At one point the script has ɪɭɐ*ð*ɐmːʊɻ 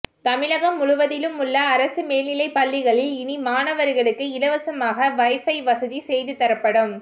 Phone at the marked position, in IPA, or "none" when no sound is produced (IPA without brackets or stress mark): ɣ